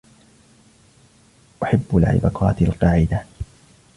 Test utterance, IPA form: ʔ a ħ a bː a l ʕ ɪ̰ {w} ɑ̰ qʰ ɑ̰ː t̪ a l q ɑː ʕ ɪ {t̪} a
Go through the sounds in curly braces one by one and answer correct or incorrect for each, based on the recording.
incorrect: b, incorrect: d̪

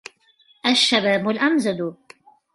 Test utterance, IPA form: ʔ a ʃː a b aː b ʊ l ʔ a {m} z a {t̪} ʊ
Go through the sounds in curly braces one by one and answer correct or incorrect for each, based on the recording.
correct, incorrect: d̪

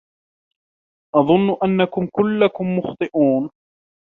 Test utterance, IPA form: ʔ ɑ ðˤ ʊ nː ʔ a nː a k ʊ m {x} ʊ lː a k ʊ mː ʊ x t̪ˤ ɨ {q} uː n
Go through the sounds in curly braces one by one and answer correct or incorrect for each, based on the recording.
incorrect: k, incorrect: ʔ

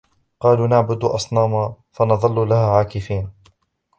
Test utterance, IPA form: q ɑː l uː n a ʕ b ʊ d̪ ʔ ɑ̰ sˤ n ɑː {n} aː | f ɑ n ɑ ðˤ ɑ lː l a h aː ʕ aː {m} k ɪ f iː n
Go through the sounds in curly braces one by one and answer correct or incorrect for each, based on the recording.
incorrect: m, incorrect: none

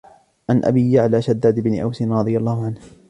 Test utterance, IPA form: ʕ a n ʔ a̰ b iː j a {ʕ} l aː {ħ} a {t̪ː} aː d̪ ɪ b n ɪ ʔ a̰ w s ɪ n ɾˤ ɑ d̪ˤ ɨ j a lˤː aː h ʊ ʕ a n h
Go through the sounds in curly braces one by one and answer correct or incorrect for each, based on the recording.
correct, incorrect: ʃ, incorrect: d̪ː

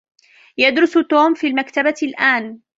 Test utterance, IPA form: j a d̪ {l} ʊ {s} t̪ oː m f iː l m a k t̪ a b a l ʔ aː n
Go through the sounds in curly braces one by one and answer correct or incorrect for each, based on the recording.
incorrect: ɾ, correct

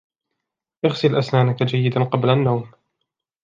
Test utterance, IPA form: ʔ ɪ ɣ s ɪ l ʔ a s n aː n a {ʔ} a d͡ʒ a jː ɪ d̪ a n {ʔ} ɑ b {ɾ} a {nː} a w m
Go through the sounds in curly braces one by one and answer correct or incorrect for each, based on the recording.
incorrect: k, incorrect: q, incorrect: l, correct

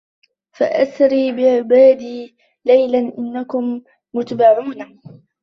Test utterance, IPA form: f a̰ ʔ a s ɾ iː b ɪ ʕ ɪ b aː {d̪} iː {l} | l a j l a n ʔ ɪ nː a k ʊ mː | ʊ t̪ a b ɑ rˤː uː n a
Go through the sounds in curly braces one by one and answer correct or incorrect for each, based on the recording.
correct, incorrect: none

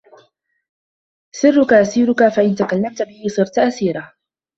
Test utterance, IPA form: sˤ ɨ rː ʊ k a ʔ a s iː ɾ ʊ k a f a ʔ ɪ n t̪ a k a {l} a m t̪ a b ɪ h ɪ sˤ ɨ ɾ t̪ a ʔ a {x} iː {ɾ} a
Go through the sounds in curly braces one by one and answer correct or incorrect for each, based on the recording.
incorrect: lː, incorrect: s, correct

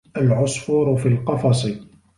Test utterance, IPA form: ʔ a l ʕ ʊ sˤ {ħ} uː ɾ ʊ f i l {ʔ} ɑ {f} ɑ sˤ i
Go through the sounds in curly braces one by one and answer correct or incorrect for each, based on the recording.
incorrect: f, incorrect: q, correct

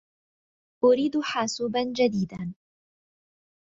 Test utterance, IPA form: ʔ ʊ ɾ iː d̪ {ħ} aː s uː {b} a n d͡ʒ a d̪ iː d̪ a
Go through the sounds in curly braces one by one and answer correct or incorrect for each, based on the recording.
correct, correct

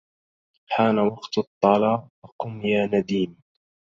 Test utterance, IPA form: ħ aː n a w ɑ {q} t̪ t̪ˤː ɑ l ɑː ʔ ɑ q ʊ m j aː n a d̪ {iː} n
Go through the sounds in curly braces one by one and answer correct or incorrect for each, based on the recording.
correct, correct

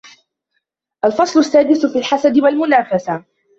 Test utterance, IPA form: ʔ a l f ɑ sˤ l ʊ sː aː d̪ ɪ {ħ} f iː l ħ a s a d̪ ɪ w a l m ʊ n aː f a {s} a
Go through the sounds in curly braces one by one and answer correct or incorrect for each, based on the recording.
incorrect: s, correct

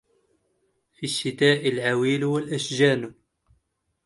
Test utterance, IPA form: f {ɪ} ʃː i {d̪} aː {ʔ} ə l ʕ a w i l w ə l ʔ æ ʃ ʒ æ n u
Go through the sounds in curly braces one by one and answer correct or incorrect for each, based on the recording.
incorrect: i, incorrect: t̪, correct

